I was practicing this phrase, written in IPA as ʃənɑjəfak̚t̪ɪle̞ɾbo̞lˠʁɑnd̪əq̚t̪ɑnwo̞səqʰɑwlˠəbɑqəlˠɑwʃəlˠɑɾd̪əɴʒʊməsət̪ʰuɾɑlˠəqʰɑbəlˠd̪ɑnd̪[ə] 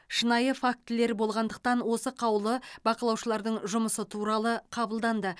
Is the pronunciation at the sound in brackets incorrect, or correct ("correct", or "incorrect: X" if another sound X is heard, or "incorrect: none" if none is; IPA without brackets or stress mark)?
correct